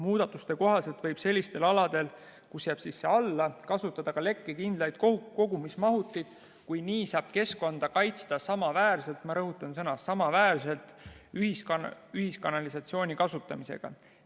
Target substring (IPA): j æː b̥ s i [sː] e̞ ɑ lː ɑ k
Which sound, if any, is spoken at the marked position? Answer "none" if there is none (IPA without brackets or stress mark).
sː